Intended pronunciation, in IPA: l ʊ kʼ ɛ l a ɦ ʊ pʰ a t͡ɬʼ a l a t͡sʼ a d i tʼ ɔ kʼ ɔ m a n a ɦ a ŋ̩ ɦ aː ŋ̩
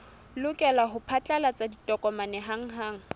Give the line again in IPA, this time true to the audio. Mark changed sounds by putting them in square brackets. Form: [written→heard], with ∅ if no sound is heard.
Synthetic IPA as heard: l ʊ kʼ ɛ l a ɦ ʊ pʰ a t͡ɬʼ a l a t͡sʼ a d i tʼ ɔ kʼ ɔ m a n [a→ɛ] ɦ a ŋ̩ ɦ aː ŋ̩